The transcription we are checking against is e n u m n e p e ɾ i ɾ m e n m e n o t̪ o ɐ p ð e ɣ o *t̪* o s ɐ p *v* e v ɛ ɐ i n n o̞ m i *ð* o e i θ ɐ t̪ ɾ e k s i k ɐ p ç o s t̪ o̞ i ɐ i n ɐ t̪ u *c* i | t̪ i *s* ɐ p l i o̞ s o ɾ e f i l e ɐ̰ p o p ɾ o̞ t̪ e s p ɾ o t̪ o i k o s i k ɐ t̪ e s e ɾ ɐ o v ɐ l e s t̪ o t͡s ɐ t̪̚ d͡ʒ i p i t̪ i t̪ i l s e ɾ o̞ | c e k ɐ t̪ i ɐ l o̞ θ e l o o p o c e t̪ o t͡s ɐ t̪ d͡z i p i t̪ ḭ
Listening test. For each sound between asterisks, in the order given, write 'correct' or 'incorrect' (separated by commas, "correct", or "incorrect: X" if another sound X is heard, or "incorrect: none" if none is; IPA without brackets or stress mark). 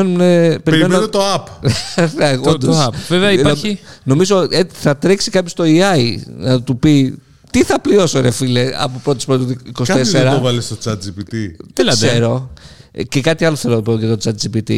incorrect: d̪, correct, incorrect: z, incorrect: p, incorrect: θ